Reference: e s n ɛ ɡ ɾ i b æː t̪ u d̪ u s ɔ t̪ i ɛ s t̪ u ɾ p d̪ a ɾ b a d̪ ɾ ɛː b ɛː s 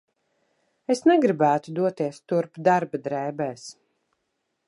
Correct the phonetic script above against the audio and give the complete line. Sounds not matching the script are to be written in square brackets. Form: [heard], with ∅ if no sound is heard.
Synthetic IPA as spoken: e s n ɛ ɡ ɾ i b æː t̪ u d̪ u [∅] ɔ t̪ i ɛ s t̪ u ɾ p d̪ a ɾ b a d̪ ɾ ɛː b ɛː s